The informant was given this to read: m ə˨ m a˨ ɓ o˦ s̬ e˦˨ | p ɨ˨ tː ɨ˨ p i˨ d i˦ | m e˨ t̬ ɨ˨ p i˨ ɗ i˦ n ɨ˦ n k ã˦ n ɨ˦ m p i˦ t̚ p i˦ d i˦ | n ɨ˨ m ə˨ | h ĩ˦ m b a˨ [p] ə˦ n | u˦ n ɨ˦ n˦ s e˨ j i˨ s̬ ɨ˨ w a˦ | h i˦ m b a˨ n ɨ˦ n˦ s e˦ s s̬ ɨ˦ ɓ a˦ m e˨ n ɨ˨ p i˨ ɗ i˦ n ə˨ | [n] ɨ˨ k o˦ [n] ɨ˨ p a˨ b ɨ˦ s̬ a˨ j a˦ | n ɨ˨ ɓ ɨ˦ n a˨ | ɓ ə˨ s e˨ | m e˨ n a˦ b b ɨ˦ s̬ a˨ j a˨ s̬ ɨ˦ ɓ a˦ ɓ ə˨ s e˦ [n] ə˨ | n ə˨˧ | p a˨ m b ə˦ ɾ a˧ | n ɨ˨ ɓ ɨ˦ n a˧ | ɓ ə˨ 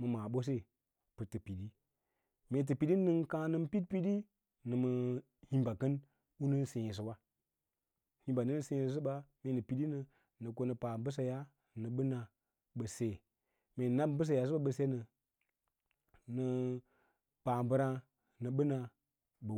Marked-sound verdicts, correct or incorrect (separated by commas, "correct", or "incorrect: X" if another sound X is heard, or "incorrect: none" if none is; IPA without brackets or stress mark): incorrect: k, correct, correct, correct